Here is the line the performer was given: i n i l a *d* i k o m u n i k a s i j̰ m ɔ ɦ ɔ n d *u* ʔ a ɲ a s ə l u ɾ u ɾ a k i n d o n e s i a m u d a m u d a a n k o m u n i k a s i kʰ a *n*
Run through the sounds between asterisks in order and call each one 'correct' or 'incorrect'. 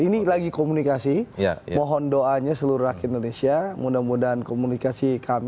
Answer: incorrect: ɡ, incorrect: o, incorrect: m

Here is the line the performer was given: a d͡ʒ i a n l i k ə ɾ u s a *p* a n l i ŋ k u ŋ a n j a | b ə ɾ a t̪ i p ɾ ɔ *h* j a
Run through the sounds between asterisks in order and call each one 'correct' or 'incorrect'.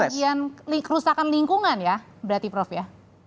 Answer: incorrect: k, incorrect: f

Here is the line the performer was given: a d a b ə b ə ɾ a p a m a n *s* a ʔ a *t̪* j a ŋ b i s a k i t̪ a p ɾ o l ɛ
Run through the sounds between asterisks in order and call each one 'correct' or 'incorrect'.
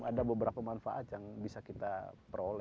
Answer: incorrect: f, correct

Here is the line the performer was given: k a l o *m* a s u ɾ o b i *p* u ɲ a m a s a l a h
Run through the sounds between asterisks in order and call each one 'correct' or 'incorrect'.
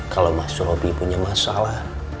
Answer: correct, correct

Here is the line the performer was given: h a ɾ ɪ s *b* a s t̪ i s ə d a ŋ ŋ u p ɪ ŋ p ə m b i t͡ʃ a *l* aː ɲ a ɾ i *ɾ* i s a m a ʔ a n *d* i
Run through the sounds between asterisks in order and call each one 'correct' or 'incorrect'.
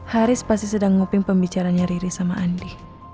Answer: incorrect: p, incorrect: ɾ, correct, correct

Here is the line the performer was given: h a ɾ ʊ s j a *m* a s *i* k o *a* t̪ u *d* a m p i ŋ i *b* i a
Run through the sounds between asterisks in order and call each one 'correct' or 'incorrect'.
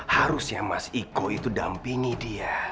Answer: correct, correct, incorrect: i, correct, incorrect: d

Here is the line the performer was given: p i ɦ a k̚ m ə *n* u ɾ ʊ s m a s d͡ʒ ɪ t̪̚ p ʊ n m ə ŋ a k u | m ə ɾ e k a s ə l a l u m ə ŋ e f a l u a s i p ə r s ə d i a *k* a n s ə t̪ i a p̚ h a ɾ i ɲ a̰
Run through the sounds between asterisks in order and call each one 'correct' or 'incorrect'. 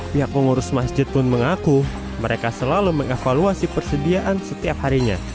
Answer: incorrect: ŋ, incorrect: ʔ

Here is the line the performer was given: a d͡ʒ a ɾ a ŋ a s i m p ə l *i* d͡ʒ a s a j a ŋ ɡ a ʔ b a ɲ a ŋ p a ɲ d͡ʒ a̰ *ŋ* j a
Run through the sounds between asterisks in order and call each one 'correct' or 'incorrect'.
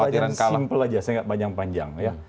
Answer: incorrect: a, correct

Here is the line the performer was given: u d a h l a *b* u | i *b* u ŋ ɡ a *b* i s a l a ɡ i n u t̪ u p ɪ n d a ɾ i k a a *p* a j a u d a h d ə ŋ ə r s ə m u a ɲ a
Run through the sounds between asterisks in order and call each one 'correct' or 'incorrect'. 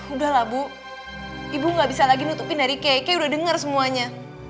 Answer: correct, correct, correct, incorrect: k

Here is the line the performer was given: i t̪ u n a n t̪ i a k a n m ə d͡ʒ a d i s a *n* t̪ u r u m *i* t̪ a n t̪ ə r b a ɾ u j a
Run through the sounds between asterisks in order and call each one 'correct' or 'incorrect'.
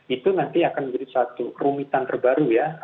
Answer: incorrect: none, correct

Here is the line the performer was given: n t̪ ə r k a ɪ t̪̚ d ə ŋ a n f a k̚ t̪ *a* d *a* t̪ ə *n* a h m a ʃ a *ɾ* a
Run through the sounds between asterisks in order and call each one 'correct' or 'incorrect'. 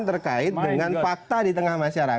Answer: correct, incorrect: i, incorrect: ŋ, correct

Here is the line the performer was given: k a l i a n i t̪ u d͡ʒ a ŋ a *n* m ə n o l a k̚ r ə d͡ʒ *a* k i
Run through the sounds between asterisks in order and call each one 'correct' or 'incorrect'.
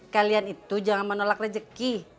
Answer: correct, incorrect: ə

